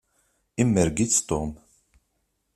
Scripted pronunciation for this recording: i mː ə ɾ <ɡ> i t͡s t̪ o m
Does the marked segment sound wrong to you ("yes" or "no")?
no